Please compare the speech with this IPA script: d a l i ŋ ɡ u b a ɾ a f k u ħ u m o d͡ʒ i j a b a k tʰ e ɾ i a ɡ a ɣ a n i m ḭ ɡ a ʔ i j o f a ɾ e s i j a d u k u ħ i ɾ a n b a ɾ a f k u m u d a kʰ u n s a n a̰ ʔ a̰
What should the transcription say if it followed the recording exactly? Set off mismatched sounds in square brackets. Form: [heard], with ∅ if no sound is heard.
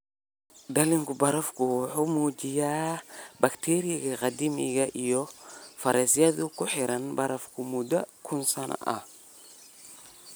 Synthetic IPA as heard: d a l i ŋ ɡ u b a ɾ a f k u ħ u m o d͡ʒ i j a b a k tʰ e ɾ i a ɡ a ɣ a [d] i m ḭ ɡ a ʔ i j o f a ɾ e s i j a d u k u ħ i ɾ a n b a ɾ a f k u m u d a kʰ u n s a n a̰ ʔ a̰